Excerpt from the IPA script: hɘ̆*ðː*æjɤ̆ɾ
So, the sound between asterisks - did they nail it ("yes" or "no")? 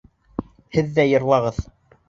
yes